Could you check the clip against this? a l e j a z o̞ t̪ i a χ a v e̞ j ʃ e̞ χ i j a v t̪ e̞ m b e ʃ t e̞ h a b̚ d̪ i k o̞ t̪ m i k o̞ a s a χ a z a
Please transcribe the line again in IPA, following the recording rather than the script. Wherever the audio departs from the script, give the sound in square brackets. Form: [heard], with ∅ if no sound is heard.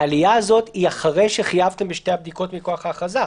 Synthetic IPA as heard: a l [i] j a z o̞ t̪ i a χ a [ʁ] e̞ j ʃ e̞ χ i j a v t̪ e̞ m b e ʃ t e̞ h a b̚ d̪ i k o̞ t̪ m i k o̞ a [χ] a χ a z a